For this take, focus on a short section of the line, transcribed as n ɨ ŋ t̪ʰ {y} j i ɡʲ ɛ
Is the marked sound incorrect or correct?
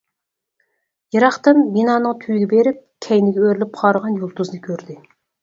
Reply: correct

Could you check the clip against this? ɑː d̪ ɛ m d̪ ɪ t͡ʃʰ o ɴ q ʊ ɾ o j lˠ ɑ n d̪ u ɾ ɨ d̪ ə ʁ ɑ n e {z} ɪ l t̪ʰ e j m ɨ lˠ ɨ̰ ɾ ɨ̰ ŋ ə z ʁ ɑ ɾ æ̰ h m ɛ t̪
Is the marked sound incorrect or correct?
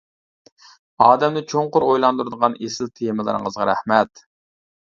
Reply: incorrect: s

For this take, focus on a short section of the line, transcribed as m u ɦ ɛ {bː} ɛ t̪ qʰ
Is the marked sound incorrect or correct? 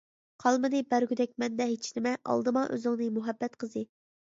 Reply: correct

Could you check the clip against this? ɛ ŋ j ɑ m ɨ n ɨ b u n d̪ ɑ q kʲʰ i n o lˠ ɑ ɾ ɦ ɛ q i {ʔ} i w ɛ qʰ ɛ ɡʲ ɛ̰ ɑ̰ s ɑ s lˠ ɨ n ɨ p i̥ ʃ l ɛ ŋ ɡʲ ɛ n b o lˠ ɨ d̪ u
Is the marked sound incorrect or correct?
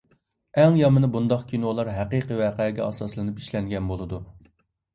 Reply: incorrect: q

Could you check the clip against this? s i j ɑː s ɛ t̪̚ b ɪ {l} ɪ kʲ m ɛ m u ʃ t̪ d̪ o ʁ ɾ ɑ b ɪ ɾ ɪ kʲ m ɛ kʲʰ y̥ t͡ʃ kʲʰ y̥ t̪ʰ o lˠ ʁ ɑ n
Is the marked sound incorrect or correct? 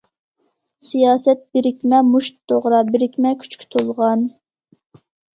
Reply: incorrect: ɾ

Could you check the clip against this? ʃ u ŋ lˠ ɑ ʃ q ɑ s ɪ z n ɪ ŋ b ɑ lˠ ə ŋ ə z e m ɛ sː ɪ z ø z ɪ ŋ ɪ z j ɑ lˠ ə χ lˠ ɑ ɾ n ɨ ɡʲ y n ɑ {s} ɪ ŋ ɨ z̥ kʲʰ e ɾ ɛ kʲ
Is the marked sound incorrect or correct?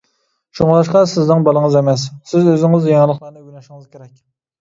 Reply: incorrect: ʃ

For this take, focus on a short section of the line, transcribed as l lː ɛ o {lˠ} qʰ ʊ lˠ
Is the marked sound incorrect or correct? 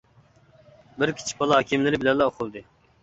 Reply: incorrect: none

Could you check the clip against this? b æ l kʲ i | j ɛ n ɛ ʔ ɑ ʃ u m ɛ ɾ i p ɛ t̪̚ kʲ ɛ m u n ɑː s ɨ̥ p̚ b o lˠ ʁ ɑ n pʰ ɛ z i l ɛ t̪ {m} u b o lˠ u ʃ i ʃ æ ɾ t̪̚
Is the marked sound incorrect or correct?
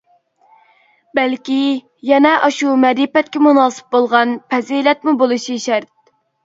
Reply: correct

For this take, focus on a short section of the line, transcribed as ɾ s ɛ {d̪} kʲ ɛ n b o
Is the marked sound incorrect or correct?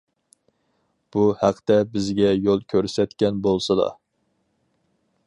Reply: incorrect: t̪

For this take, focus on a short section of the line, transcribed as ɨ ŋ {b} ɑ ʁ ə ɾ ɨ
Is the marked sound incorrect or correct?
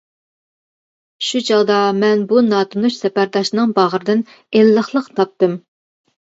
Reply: correct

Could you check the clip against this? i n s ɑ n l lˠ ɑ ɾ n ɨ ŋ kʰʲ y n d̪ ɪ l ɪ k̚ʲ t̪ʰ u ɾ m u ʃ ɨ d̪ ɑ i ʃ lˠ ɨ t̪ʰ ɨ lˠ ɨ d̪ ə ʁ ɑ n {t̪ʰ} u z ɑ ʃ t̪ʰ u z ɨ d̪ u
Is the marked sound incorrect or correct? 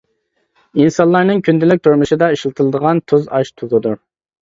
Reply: correct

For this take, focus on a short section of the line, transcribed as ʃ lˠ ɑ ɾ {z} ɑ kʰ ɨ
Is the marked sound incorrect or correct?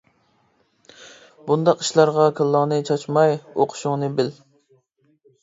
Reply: incorrect: ʁ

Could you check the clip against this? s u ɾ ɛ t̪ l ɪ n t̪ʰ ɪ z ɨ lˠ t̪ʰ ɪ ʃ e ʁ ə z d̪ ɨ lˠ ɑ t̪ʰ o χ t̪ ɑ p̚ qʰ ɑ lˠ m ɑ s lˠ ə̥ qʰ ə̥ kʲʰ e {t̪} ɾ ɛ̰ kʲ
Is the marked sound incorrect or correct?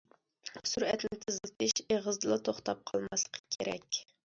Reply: incorrect: none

